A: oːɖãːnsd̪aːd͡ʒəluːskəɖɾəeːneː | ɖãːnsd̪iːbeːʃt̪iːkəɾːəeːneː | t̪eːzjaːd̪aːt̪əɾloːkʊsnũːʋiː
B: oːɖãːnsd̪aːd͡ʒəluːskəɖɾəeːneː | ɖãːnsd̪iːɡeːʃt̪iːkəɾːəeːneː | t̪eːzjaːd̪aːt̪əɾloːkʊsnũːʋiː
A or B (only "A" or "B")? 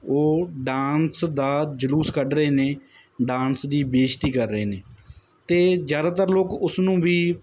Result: A